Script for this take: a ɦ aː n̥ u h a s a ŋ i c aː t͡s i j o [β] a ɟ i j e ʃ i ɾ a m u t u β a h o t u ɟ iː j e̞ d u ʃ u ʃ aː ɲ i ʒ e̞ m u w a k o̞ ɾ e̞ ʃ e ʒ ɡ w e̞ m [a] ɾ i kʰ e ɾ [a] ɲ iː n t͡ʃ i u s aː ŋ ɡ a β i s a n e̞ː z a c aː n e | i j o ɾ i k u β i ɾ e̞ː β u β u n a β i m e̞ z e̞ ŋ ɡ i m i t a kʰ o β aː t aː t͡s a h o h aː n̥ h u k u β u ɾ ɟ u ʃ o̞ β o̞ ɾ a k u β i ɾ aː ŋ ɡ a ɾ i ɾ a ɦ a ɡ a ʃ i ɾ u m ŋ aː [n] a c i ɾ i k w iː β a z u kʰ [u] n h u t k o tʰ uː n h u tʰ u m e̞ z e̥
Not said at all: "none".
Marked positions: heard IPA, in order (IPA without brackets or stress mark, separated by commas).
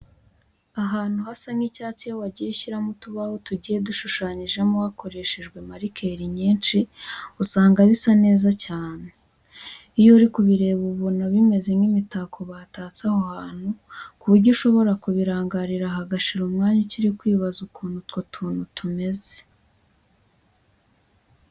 w, a, i, ɲ, uː